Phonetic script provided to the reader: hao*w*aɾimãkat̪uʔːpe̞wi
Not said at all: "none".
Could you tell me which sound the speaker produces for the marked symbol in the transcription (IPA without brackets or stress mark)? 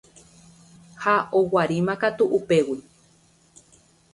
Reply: w